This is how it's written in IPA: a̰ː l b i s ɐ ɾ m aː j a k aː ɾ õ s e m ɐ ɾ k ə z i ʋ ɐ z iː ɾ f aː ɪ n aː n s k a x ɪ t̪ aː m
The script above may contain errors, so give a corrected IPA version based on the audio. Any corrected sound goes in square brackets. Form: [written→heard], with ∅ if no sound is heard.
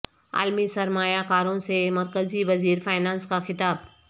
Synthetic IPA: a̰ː l [b→m] i s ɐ ɾ m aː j a k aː ɾ õ s e m ɐ ɾ k ə z i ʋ ɐ z iː ɾ f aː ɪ n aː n s k a x ɪ t̪ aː [m→b]